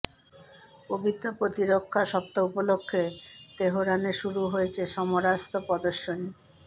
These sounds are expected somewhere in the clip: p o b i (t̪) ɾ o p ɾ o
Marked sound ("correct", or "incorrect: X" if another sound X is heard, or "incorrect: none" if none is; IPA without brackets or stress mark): correct